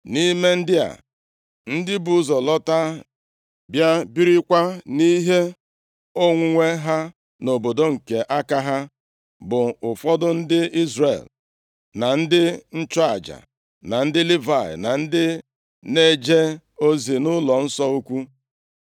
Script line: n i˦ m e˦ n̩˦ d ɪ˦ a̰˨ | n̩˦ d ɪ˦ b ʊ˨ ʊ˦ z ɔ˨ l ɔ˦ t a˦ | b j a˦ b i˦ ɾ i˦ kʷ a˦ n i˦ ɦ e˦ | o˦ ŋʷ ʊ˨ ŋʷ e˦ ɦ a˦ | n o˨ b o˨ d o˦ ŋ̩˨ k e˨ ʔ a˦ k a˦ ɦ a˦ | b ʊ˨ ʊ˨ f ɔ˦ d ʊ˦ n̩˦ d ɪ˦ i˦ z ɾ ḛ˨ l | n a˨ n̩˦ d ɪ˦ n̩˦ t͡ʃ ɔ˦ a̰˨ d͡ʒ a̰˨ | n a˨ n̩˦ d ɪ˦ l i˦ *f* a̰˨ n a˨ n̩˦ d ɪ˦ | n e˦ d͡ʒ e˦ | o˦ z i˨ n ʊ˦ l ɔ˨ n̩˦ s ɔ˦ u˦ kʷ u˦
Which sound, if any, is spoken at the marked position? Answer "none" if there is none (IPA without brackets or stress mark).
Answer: v